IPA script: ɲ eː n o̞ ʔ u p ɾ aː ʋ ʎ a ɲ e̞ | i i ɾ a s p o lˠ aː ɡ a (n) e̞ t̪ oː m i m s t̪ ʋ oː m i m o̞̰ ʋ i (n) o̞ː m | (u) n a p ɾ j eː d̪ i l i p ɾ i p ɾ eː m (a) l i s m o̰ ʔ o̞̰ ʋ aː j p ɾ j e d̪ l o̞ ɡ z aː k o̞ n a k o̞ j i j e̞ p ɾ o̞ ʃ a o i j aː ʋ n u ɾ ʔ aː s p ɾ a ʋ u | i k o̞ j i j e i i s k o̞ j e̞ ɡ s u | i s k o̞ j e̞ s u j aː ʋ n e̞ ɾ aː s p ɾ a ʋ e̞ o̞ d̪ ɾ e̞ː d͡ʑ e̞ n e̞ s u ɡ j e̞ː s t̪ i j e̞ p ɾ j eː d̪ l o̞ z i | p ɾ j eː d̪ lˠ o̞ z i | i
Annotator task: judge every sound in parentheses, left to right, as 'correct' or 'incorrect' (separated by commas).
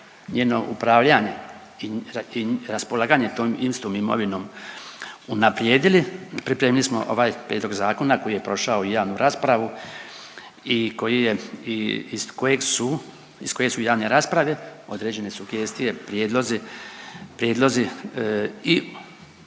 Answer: incorrect, correct, correct, incorrect